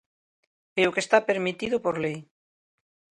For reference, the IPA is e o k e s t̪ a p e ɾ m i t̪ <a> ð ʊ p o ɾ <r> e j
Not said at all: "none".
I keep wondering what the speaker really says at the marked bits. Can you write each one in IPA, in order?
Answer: i, l

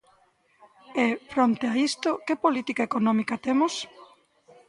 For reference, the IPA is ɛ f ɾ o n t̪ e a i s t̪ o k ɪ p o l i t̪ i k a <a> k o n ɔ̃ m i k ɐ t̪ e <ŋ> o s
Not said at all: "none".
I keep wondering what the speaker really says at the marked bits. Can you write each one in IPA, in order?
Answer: e, m

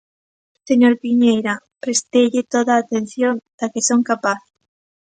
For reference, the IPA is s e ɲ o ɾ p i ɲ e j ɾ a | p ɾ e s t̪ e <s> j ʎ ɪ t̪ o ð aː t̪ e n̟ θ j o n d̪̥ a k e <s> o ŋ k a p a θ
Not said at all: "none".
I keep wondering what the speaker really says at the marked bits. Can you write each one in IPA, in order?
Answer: none, s

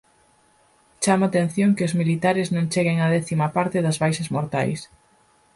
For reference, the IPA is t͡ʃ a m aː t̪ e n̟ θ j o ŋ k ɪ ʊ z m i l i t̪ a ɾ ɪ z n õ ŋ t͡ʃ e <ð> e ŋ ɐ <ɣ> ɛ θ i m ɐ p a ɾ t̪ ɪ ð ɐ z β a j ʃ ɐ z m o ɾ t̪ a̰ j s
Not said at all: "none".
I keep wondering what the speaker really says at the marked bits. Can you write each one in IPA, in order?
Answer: ɣ, ð

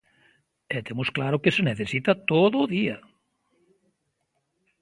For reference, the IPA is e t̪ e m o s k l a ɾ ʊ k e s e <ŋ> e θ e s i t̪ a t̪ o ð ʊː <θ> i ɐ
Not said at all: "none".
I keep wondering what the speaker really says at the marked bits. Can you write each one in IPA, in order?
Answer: n, ð

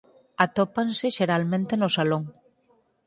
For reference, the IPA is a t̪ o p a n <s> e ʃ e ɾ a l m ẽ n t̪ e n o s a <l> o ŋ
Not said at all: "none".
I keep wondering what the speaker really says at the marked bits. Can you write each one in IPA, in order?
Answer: s, l

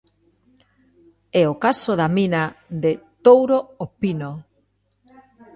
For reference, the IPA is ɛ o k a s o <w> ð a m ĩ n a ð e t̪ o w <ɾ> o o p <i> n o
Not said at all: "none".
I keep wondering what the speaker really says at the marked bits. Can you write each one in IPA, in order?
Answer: none, ɾ, i

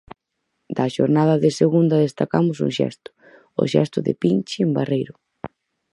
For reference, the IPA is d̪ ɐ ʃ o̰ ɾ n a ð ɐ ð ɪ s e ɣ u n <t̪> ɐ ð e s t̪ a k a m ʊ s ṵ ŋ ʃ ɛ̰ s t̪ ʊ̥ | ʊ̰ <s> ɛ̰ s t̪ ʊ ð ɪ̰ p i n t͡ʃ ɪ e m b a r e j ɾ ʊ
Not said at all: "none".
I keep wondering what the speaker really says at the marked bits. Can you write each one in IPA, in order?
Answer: d̪, ʃ

